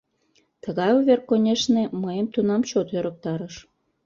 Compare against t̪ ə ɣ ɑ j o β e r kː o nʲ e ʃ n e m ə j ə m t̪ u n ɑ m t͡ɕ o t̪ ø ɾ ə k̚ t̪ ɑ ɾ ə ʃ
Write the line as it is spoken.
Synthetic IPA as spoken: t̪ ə ɣ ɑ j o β e r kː o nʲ e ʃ n e m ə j ə m t̪ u n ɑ m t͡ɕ o t̪ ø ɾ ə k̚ t̪ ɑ ɾ ə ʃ

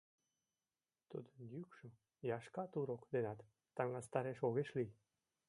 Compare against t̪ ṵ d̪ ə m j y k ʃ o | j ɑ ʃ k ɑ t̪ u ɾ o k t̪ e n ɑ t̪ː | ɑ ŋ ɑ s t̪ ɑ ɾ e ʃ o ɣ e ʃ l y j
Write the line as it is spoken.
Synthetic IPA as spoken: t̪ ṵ d̪ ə n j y k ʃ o | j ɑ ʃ k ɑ t̪ u ɾ o k d̪ e n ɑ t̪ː | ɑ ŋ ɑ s t̪ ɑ ɾ e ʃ o ɣ e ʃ l i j

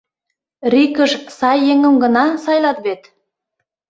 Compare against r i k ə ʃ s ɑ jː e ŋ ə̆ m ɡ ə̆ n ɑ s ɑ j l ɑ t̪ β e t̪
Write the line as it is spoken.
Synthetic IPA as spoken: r i k ə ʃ s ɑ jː e ŋ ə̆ m ɡ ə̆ n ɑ s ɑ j l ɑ t̪ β e t̪

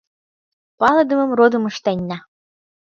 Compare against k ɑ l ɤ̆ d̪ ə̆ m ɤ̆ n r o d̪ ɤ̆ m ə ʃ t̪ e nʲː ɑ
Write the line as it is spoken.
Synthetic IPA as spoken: p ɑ l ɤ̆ d̪ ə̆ m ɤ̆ m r o d̪ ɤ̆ m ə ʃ t̪ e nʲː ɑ

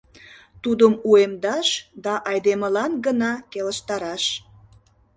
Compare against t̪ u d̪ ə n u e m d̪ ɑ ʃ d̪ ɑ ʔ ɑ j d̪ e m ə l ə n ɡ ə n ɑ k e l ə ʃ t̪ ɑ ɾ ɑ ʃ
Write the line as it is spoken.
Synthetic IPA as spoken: t̪ u d̪ ə m u e m d̪ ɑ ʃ d̪ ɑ ʔ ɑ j d̪ e m ə l ɑ n ɡ ə n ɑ k e l ə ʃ t̪ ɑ ɾ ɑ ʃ

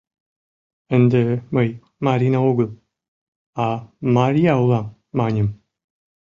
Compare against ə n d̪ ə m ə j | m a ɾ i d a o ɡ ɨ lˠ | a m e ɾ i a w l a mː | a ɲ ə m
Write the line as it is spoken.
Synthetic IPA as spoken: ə n d̪ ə m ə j | m a ɾ i n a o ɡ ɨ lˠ | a m a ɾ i a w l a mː | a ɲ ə m

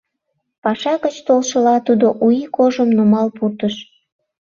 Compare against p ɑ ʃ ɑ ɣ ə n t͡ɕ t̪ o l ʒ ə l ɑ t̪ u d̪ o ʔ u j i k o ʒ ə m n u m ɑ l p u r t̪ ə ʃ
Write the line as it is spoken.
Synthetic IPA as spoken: p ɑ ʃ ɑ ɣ ə t͡ɕ t̪ o l ʃ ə l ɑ t̪ u d̪ o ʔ u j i k o ʒ ə m n u m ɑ l p u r t̪ ə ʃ

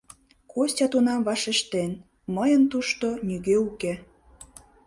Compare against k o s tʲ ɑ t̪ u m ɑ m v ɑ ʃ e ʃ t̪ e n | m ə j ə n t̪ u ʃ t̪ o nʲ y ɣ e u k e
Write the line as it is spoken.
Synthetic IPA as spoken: k o s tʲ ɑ t̪ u n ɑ m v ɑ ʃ e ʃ t̪ e n | m ə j ə n t̪ u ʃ t̪ o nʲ y ɣ e u k e

